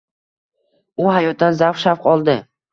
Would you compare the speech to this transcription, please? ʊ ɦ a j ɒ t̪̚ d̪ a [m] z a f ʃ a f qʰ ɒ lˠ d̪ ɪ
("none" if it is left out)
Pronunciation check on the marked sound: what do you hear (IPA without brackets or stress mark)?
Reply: n